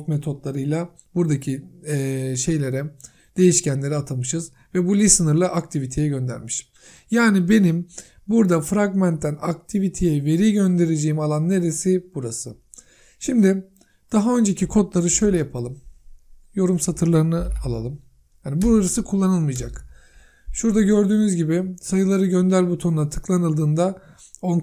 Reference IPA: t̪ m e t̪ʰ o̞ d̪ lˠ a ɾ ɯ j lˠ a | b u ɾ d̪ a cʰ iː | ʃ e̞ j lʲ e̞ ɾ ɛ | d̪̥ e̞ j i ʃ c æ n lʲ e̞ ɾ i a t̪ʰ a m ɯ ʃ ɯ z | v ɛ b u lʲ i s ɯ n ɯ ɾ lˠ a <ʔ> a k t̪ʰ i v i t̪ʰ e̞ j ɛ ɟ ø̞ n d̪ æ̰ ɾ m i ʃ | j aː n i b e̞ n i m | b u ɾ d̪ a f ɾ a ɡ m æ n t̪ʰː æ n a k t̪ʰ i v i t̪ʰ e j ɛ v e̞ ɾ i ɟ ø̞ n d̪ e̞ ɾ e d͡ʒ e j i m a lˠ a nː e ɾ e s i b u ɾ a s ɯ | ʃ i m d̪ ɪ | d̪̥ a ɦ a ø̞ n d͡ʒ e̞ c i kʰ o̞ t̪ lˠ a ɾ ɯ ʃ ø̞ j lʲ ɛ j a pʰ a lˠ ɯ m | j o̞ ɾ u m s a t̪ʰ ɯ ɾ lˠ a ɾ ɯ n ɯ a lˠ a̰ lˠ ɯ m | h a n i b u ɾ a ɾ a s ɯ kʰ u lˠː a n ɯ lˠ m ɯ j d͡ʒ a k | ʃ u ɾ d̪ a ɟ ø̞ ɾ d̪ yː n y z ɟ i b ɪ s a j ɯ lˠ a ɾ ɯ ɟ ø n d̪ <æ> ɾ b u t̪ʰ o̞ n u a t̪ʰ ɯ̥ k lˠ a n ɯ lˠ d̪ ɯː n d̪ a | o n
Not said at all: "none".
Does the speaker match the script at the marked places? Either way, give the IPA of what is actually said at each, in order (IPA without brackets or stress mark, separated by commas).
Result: ʔ, æ